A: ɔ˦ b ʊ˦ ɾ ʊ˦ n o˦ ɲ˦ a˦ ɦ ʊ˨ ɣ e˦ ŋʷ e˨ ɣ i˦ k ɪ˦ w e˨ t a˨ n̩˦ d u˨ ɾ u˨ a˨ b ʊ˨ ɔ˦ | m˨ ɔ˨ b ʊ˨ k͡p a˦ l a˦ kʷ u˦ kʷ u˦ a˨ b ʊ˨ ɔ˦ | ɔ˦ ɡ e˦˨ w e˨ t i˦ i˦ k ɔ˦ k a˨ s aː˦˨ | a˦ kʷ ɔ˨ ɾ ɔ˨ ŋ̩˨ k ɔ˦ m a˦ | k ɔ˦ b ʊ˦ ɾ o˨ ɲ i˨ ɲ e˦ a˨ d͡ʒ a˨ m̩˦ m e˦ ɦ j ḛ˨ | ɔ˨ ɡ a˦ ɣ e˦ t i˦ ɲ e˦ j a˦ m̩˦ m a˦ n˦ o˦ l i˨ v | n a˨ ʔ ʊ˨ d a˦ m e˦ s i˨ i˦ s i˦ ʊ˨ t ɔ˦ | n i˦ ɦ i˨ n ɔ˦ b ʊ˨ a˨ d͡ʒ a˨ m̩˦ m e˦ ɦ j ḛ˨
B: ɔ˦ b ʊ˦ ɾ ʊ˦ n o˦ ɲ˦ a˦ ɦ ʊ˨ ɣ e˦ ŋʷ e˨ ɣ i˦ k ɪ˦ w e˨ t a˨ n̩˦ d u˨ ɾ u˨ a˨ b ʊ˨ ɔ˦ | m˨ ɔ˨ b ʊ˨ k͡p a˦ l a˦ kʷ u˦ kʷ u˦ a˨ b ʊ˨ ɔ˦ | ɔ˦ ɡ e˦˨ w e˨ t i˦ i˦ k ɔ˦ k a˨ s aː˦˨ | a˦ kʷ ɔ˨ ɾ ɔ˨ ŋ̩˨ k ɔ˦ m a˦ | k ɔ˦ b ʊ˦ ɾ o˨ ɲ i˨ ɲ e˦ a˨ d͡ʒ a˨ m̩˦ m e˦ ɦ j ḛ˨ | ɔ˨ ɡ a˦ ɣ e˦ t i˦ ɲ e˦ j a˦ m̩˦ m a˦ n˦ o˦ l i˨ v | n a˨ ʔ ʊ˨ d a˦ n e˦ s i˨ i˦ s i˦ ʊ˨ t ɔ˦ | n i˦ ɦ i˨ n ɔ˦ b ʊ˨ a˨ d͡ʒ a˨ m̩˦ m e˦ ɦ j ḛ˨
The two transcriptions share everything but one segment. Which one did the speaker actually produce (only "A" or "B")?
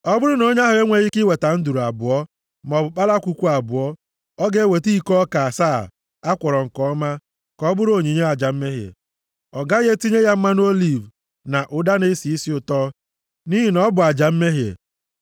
B